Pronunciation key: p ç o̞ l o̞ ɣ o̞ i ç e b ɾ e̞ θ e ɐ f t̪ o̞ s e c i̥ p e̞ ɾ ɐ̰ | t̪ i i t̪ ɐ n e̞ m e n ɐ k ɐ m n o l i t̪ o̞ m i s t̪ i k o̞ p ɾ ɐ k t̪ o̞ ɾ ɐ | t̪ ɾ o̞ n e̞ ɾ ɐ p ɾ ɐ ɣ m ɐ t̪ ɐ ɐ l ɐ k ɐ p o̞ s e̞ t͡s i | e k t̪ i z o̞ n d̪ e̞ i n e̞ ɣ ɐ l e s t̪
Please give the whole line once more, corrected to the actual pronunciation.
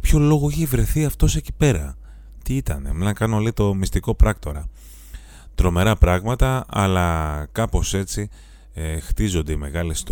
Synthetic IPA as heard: p ç o̞ l o̞ ɣ o̞ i ç e v ɾ e̞ θ i ɐ f t̪ o̞ s e c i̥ p e̞ ɾ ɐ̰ | t̪ i i t̪ ɐ n e̞ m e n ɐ k ɐ n o l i t̪ o̞ m i s t̪ i k o̞ p ɾ ɐ k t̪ o̞ ɾ ɐ | t̪ ɾ o̞ m e̞ ɾ ɐ p ɾ ɐ ɣ m ɐ t̪ ɐ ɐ l ɐ k ɐ p o̞ s e̞ t͡s i | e x t̪ i z o̞ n d̪ e̞ i m e̞ ɣ ɐ l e s t̪